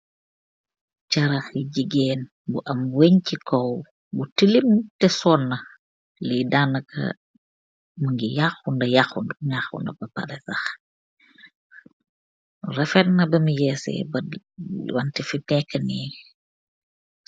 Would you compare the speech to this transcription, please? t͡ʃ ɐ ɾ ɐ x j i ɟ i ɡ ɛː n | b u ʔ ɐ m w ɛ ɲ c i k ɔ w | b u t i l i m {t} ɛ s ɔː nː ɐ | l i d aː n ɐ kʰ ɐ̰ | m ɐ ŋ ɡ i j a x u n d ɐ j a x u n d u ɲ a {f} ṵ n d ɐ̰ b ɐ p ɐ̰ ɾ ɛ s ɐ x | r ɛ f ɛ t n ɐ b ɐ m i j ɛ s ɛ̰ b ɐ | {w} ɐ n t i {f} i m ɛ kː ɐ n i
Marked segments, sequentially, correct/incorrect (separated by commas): correct, incorrect, correct, correct